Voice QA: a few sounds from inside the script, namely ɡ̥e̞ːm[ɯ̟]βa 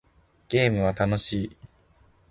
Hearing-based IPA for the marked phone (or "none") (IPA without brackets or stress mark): ɯ̟